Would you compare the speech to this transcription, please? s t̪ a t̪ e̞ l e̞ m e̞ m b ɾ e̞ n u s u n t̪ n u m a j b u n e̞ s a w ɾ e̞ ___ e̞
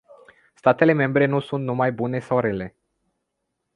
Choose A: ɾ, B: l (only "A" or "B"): B